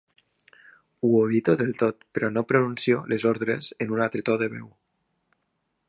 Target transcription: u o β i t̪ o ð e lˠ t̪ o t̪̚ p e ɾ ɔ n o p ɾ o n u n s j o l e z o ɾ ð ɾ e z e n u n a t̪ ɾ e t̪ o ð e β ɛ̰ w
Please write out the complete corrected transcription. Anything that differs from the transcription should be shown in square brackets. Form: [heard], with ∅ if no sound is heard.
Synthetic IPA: u o β i t̪ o ð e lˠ t̪ o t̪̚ p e ɾ ɔ n o p ɾ o n u n s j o l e z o ɾ ð ɾ e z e n u n a t̪ ɾ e t̪ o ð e β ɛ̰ w